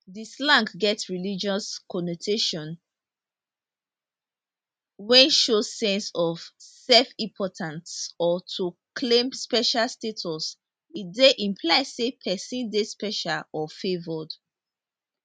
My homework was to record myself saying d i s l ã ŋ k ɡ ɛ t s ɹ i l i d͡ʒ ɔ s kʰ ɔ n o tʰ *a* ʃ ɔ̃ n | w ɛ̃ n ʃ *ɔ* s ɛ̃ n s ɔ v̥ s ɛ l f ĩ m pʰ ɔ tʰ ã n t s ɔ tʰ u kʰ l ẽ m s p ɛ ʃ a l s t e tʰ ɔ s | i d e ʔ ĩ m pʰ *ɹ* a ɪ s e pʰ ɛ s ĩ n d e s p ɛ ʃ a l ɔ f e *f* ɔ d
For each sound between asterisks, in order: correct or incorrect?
incorrect, incorrect, incorrect, incorrect

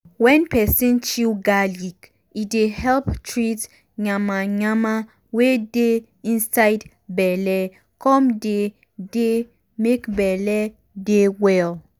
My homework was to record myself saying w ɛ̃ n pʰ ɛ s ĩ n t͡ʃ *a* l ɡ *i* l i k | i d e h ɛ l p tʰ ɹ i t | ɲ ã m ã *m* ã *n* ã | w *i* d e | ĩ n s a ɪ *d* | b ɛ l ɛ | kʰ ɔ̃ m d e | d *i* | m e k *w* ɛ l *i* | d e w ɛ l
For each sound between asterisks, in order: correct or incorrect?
incorrect, incorrect, incorrect, incorrect, incorrect, correct, incorrect, incorrect, incorrect

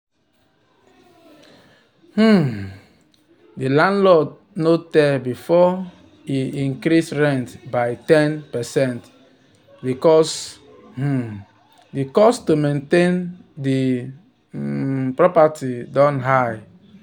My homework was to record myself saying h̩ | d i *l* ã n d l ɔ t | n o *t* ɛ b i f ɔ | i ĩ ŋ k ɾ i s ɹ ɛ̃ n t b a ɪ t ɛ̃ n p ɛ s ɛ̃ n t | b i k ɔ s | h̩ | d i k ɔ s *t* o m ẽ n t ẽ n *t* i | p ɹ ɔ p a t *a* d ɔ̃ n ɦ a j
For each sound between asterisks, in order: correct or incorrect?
correct, correct, correct, incorrect, incorrect

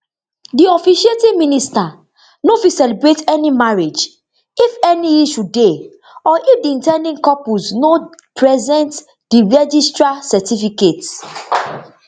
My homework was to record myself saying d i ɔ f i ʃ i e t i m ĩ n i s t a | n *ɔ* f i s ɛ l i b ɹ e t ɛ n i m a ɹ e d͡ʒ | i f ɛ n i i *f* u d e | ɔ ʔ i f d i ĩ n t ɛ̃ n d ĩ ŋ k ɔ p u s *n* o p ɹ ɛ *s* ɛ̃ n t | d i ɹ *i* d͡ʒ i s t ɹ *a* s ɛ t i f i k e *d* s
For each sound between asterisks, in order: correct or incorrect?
incorrect, incorrect, correct, incorrect, incorrect, correct, incorrect

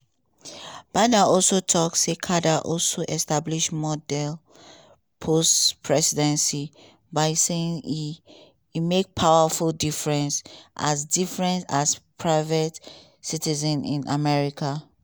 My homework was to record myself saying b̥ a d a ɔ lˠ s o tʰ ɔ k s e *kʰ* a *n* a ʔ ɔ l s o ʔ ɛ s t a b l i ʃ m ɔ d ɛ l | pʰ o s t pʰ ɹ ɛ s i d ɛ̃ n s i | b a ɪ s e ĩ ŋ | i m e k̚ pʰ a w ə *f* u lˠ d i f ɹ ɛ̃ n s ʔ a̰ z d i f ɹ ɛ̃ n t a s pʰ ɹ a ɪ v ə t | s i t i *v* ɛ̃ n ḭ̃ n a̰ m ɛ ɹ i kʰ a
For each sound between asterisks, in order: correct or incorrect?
correct, incorrect, correct, incorrect

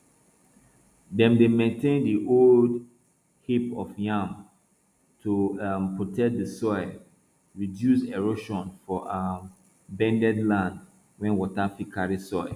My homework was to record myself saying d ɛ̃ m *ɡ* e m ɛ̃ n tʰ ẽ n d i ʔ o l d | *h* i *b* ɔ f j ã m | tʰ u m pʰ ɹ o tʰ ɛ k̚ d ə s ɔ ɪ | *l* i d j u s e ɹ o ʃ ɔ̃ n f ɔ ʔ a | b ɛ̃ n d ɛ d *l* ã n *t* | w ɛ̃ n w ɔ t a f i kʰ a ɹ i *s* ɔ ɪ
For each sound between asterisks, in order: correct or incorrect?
incorrect, correct, incorrect, incorrect, correct, incorrect, correct

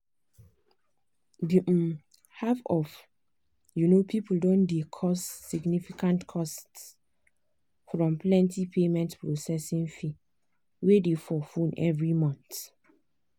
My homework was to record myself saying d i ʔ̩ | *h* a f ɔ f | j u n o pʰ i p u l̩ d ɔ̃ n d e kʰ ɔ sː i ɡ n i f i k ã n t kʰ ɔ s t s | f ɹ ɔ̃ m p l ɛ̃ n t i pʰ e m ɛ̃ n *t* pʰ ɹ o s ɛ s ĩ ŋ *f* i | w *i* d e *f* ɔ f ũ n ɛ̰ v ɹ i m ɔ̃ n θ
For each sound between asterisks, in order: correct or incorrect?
correct, correct, correct, incorrect, correct

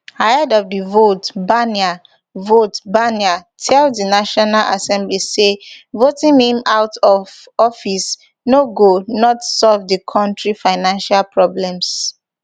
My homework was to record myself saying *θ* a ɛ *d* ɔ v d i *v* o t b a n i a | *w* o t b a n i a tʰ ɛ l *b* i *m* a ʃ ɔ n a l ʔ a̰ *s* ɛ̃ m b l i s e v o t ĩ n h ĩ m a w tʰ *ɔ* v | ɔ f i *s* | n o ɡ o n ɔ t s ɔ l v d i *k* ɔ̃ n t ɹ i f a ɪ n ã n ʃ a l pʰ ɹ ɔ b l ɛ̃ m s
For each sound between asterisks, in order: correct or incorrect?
incorrect, correct, correct, incorrect, incorrect, incorrect, correct, correct, correct, incorrect

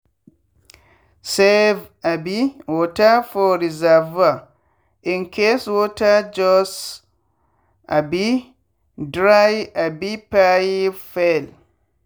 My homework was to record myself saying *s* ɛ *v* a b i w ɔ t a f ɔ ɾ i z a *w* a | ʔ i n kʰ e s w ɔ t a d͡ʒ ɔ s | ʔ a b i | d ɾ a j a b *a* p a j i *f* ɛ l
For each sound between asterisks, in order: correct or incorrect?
correct, correct, incorrect, incorrect, correct

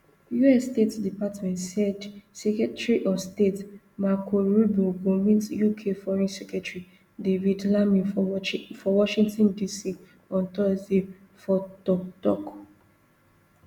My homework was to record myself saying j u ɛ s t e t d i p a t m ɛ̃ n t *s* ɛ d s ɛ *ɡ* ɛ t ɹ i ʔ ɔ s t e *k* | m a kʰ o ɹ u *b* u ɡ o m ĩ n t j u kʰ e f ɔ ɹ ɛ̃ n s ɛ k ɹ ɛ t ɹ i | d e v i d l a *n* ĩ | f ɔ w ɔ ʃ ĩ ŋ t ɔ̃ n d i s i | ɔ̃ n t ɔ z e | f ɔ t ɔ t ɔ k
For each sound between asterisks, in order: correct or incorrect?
correct, incorrect, incorrect, correct, incorrect

